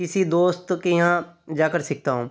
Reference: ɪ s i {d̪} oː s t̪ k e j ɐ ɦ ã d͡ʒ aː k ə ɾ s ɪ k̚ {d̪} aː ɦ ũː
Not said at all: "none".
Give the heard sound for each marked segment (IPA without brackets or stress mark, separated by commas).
d̪, t̪